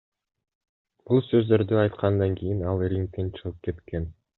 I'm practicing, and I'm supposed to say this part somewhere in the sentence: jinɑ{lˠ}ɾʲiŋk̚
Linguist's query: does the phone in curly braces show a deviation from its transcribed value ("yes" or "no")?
no